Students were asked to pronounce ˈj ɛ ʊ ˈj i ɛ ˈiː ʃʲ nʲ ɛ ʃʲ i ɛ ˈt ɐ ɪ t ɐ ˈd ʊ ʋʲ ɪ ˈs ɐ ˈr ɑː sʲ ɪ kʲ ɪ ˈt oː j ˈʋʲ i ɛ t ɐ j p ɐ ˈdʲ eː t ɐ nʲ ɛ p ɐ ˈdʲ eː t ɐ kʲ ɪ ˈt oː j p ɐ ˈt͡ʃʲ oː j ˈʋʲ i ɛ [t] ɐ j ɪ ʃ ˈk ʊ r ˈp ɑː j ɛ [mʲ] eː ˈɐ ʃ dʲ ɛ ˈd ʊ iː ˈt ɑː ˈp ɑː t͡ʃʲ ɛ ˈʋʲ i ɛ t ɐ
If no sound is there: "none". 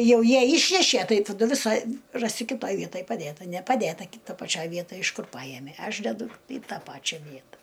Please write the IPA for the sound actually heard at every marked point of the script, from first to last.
t, mʲ

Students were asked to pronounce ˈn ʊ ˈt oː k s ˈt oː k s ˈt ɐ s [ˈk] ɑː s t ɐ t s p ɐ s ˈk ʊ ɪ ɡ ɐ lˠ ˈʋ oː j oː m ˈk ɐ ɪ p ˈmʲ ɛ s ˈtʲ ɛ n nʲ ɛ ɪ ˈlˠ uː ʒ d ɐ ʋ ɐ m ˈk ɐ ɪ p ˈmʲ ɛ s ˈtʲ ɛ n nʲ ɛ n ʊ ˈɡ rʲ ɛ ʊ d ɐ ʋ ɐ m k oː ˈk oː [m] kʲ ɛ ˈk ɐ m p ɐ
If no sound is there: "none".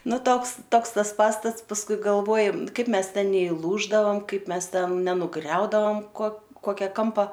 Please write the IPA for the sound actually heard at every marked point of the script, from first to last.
p, none

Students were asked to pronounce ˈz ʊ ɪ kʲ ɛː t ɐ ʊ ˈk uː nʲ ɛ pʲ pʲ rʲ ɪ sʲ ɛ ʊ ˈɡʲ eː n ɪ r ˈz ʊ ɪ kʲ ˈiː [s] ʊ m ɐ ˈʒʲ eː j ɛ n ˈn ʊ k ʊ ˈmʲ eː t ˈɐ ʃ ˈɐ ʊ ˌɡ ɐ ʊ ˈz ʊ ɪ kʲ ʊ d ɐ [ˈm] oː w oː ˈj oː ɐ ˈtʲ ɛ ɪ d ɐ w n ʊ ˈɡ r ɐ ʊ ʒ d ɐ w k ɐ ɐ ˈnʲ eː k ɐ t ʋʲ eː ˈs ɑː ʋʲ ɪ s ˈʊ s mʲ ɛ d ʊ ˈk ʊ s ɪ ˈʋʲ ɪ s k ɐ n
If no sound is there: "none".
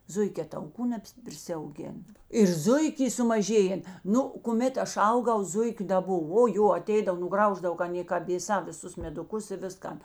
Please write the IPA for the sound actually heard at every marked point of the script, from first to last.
s, b

